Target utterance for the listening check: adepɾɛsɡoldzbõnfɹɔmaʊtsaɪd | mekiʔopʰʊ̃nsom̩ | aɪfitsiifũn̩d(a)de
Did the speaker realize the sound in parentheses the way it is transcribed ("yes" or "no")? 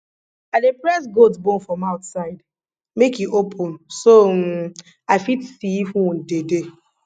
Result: no